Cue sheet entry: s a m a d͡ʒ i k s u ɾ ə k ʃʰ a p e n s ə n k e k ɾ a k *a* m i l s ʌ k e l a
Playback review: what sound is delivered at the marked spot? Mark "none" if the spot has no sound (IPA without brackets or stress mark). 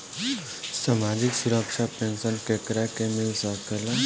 e